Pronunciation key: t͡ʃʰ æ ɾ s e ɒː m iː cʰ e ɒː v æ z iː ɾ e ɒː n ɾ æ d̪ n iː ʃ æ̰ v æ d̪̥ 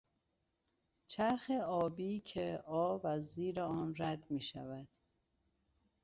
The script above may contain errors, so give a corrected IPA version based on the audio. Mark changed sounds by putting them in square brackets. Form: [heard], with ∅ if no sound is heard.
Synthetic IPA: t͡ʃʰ æ ɾ [x] e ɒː [b] iː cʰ e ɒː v æ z iː ɾ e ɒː n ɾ æ d̪ [m] iː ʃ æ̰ v æ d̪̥

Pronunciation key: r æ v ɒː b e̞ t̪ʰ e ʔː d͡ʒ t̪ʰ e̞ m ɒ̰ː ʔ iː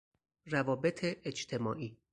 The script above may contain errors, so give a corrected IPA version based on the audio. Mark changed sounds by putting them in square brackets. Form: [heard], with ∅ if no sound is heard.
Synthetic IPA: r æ v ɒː b e̞ t̪ʰ e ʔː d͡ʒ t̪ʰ e̞ m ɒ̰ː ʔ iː

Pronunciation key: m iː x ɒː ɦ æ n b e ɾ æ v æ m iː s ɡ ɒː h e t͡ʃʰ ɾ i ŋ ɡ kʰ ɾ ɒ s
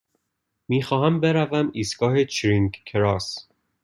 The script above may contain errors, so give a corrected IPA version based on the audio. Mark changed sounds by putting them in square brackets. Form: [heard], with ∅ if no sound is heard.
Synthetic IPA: m iː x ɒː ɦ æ [m] b e ɾ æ v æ m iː s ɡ ɒː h e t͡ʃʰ ɾ i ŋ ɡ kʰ ɾ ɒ s

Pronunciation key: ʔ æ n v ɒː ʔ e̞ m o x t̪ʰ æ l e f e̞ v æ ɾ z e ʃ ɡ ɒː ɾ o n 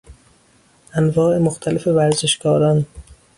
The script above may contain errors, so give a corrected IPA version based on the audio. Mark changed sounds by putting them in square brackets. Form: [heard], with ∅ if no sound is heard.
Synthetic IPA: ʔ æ n v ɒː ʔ e̞ m o x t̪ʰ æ l e f e̞ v æ ɾ z e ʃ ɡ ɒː ɾ [ɒ] n

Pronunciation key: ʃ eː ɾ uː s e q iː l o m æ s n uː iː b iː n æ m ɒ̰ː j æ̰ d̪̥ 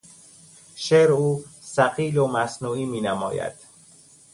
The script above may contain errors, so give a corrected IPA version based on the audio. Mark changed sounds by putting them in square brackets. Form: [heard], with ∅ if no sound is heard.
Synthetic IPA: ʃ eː ɾ uː s [æ] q iː l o m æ s n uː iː [m] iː n æ m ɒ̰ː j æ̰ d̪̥

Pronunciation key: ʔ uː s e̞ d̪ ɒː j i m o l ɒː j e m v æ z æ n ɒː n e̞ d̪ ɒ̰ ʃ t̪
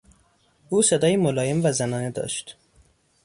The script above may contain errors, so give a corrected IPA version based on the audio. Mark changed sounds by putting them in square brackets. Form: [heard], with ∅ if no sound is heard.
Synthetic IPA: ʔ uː s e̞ d̪ ɒː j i m o l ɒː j e m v æ z æ n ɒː n e̞ d̪ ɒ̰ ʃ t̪

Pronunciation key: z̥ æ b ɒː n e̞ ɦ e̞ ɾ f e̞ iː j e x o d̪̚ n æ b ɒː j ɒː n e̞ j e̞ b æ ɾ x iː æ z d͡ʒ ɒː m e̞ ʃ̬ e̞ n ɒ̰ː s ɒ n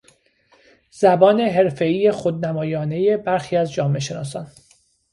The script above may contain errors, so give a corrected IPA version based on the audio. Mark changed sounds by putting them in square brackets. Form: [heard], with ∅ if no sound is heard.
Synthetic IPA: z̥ æ b ɒː n e̞ ɦ e̞ ɾ f e̞ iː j e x o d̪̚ n æ [m] ɒː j ɒː n e̞ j e̞ b æ ɾ x iː æ z d͡ʒ ɒː m e̞ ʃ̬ e̞ n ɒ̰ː s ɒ n

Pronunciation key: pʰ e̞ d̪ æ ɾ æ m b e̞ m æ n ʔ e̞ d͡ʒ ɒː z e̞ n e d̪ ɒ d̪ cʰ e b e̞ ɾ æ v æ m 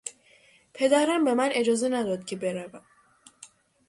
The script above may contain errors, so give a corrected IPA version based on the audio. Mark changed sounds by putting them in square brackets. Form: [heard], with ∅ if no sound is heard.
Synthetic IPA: pʰ e̞ d̪ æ ɾ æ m b e̞ m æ n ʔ e̞ d͡ʒ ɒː z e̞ n [æ] d̪ ɒ d̪ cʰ e b e̞ ɾ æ v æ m

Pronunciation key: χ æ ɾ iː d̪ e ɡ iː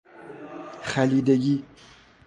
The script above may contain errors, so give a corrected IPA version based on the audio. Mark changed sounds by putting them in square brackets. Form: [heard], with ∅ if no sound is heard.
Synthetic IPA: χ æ [l] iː d̪ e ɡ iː

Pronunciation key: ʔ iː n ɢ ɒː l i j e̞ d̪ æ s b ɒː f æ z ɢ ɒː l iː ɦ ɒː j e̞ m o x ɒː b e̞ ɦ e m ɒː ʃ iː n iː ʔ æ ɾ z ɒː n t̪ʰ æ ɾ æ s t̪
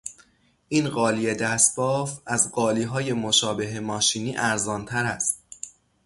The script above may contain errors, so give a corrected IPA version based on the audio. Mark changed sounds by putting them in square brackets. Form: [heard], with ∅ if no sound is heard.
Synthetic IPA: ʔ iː n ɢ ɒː l i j e̞ d̪ æ s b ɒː f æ z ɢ ɒː l iː ɦ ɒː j e̞ m o [ʃ] ɒː b e̞ ɦ e m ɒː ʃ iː n iː ʔ æ ɾ z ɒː n t̪ʰ æ ɾ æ s t̪

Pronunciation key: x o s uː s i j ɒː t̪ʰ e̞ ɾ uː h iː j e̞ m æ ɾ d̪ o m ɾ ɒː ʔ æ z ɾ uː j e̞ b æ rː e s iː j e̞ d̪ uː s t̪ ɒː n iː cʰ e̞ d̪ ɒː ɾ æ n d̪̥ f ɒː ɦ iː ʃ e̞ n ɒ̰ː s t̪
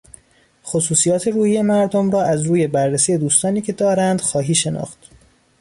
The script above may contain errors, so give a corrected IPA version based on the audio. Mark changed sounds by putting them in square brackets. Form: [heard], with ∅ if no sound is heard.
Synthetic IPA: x o s uː s i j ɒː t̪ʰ e̞ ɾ uː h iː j e̞ m æ ɾ d̪ o m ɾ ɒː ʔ æ z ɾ uː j e̞ b æ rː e s iː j e̞ d̪ uː s t̪ ɒː n iː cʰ e̞ d̪ ɒː ɾ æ n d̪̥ [x] ɒː ɦ iː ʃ e̞ n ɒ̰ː [x] t̪

